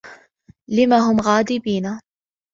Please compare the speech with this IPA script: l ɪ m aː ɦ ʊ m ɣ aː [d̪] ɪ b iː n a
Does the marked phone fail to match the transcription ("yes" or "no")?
no